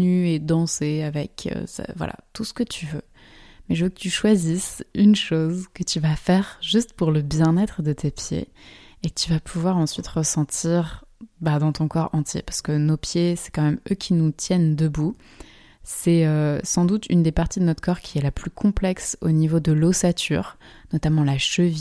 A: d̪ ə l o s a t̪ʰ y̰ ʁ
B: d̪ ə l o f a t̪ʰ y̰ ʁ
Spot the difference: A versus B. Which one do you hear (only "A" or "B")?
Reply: A